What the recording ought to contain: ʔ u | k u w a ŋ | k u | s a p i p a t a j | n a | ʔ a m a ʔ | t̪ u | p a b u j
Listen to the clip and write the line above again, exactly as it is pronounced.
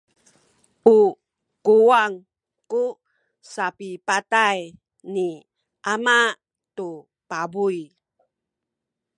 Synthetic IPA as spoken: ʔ u | k u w a ŋ | k u | s a p i p a t a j | n i | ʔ a m a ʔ | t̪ u | p a b u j